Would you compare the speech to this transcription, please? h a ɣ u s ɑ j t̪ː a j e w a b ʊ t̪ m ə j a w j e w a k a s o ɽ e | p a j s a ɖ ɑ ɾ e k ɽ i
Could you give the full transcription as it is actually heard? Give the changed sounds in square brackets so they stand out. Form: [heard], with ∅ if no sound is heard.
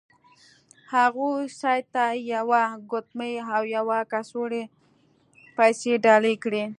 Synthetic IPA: h a ɣ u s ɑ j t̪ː a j [a] w a [ɡ] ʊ t̪ m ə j a w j [a] w a k a s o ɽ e | p a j s [e] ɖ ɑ [l] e k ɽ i